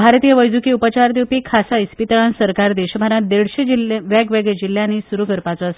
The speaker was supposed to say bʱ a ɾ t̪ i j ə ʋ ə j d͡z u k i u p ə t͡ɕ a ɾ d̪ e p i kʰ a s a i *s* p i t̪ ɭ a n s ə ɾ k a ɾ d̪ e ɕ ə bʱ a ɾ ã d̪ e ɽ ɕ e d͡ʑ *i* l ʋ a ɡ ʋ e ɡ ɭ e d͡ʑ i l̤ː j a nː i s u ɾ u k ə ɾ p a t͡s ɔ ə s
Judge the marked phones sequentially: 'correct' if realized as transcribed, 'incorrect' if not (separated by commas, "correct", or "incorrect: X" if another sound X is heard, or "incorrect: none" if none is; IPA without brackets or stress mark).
correct, correct